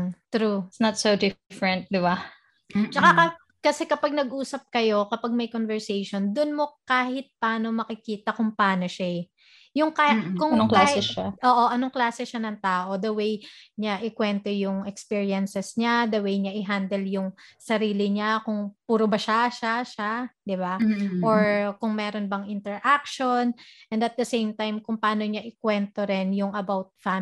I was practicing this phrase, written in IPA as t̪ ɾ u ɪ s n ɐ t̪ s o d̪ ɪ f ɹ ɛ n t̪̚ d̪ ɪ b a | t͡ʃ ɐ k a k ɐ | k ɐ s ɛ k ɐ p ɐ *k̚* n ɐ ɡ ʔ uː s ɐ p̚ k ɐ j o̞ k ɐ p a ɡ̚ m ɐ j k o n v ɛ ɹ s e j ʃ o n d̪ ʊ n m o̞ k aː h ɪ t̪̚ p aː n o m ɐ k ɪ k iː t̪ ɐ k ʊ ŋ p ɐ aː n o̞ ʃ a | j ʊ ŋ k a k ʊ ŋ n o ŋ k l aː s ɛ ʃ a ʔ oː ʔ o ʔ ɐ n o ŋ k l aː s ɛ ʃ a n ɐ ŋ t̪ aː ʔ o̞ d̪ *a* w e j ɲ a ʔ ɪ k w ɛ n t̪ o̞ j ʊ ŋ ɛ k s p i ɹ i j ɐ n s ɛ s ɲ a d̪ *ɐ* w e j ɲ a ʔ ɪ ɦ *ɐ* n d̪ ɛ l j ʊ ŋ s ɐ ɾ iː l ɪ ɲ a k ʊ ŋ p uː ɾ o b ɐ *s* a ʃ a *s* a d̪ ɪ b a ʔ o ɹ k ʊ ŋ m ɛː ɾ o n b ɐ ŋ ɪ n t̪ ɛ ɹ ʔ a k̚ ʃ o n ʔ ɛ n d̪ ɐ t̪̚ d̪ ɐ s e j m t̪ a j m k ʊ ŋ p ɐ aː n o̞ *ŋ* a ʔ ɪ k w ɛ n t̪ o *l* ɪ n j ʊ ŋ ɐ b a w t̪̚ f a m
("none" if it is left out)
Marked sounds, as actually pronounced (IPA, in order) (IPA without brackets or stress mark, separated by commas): ɡ̚, ɐ, ɐ, a, ʃ, ʃ, ɲ, ɾ